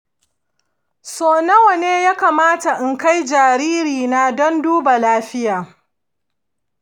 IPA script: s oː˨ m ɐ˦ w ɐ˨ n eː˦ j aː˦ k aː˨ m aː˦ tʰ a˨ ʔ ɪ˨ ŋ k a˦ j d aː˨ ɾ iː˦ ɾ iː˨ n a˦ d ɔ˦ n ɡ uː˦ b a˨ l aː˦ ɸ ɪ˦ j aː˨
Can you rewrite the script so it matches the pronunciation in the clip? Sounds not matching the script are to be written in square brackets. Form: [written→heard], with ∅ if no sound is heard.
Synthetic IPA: s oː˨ [m→n] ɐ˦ w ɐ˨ n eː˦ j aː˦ k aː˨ m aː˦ [tʰ→t] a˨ ʔ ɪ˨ ŋ k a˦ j [d→d͡ʒ] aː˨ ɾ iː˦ ɾ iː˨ n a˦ d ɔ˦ n [ɡ→d] uː˦ b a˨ l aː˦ ɸ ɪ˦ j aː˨